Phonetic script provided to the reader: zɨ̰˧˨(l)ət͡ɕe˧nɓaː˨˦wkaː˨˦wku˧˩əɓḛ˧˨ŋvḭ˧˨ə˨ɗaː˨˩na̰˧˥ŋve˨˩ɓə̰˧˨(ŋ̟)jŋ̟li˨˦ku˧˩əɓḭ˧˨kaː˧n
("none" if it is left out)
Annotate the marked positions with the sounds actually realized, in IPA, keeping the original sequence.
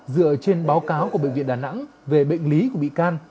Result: none, none

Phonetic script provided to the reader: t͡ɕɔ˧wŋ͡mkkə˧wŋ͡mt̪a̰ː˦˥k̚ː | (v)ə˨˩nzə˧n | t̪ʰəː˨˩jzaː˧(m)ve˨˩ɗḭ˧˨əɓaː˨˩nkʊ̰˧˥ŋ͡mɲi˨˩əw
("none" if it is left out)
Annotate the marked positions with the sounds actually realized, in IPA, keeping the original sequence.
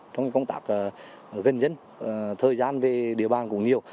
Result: ɣ, n

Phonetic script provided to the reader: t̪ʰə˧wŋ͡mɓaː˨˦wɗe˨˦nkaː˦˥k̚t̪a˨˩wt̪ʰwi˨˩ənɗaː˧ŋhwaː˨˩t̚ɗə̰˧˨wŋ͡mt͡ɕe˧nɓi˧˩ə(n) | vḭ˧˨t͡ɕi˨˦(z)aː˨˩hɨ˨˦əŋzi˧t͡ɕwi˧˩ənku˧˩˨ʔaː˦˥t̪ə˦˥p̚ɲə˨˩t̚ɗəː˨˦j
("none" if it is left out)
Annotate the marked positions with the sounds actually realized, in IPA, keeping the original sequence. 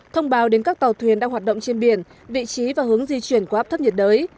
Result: n, v

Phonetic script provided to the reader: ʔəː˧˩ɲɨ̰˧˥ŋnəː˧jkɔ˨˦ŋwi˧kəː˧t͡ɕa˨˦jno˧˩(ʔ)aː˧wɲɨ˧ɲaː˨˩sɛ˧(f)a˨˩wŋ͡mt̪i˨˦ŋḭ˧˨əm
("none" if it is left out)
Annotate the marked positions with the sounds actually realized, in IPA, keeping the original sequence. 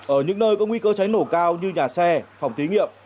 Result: k, f

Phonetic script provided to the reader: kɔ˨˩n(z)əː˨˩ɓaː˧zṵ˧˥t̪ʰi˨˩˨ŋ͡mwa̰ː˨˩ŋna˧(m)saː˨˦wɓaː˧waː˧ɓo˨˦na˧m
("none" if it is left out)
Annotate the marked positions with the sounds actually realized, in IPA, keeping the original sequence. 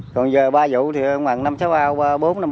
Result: z, m

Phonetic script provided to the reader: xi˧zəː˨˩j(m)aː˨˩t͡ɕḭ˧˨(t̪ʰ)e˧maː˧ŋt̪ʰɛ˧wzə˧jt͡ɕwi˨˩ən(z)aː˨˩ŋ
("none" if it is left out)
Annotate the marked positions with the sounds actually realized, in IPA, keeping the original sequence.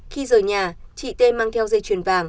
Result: ɲ, t̪, v

